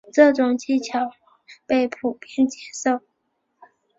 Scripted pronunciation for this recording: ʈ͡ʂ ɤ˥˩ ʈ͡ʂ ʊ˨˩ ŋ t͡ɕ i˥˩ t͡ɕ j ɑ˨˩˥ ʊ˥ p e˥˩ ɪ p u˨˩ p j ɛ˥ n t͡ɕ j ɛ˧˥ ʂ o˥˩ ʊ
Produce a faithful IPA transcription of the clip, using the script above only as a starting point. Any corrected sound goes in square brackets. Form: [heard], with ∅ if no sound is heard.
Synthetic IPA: ʈ͡ʂ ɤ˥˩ ʈ͡ʂ ʊ˨˩ ŋ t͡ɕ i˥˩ [t͡ɕʰ] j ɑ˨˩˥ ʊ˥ p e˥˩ ɪ [pʰ] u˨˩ p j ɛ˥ n t͡ɕ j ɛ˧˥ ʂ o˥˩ ʊ